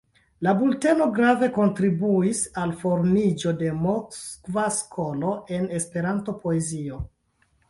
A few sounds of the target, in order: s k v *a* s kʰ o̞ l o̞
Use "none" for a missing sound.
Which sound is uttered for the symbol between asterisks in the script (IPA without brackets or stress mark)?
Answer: a